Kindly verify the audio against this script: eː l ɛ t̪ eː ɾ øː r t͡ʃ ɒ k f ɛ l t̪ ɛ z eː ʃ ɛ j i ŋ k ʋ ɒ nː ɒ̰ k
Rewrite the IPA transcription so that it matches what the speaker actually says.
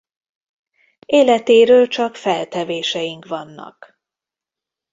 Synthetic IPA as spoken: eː l ɛ t̪ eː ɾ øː l t͡ʃ ɒ k f ɛ l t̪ ɛ v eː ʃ ɛ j i ŋ k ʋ ɒ nː ɒ̰ k